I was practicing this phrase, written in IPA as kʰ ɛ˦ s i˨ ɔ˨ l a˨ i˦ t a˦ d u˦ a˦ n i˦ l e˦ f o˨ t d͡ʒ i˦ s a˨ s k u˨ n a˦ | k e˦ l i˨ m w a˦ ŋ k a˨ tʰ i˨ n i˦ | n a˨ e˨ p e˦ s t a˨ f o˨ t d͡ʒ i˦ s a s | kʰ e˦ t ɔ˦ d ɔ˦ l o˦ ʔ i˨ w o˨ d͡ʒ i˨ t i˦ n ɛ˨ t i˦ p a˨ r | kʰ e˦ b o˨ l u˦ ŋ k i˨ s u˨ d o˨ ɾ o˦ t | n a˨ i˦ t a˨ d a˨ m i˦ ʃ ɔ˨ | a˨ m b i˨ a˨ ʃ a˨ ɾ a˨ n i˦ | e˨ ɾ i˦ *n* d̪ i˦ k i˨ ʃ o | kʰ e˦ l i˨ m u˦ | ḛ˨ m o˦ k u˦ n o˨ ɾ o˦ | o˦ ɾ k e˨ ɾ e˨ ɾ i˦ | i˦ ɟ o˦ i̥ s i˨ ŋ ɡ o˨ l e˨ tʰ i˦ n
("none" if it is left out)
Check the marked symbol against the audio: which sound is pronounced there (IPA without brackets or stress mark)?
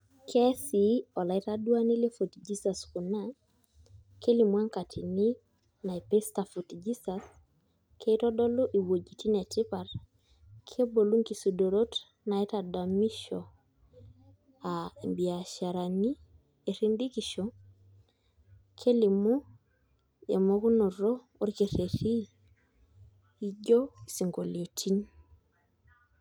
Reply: n